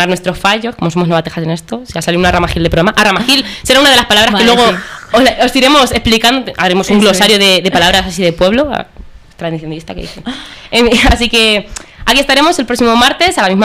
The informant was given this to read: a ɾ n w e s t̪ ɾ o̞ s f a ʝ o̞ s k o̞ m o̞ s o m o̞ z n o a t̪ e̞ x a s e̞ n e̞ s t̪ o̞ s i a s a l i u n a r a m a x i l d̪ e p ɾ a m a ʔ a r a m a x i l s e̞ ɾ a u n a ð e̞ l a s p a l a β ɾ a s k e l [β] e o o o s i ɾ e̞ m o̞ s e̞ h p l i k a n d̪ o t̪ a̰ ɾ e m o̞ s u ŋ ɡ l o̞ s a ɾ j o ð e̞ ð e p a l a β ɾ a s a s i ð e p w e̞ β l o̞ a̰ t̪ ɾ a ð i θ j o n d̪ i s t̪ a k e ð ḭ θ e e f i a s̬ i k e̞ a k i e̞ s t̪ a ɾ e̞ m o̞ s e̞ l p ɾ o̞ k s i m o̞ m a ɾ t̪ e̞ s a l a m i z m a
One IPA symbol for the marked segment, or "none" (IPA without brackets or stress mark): w